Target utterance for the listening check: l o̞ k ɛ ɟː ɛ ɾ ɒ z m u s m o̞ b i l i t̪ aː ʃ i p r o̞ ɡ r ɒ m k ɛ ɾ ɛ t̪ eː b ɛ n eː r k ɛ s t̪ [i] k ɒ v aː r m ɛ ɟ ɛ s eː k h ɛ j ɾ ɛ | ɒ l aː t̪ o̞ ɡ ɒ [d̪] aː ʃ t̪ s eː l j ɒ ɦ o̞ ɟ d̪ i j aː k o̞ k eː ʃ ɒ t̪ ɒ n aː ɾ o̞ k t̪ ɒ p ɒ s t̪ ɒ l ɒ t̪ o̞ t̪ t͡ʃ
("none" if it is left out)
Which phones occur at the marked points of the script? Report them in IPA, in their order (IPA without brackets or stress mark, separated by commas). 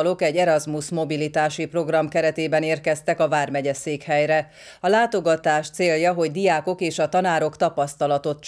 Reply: ɛ, t̪